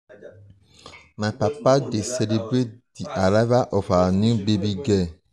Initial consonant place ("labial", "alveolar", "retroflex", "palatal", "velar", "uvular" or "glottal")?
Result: labial